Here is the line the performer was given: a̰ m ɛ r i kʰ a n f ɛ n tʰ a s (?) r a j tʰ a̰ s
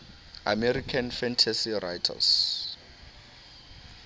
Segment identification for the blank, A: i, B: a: A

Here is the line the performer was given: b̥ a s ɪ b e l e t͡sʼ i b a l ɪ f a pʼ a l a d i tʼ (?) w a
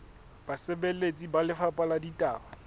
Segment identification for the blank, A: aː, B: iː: A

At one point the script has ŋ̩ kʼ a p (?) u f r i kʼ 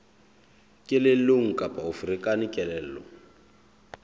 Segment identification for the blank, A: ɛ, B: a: B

